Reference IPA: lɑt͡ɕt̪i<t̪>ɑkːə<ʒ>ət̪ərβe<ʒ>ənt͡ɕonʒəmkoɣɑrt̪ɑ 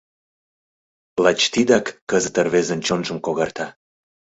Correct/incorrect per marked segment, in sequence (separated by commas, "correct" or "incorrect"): incorrect, incorrect, incorrect